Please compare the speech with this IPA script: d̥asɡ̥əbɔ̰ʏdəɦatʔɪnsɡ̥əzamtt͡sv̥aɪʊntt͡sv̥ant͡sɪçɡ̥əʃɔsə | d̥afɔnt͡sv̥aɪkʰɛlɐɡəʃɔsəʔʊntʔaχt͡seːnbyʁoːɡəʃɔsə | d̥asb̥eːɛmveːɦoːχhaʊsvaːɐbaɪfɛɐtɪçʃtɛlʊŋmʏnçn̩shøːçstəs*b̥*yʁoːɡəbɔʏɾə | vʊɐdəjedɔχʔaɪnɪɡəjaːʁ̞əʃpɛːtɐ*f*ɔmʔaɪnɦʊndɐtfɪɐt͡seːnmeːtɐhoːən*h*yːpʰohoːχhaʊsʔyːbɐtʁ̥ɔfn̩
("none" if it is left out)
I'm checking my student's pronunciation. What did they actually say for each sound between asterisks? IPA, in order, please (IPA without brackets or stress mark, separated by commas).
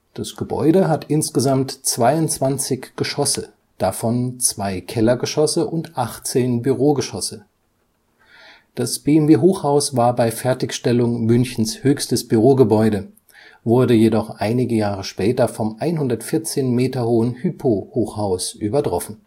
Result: b̥, f, h